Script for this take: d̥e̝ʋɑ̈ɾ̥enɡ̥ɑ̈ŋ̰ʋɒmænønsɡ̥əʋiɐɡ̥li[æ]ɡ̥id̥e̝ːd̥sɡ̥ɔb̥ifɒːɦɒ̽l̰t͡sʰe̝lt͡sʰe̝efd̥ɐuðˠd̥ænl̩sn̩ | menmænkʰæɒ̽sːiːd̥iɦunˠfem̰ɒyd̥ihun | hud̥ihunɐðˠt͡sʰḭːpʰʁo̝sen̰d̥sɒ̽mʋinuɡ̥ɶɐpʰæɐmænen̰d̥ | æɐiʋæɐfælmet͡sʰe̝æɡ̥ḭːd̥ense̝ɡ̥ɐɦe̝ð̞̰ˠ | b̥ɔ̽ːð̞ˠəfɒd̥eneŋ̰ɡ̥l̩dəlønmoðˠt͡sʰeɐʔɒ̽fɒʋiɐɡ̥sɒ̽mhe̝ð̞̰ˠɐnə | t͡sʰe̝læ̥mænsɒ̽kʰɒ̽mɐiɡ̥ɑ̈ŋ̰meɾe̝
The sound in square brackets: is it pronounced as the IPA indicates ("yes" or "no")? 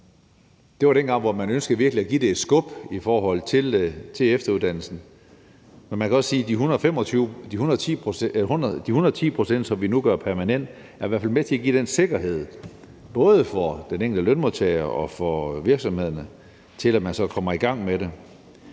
yes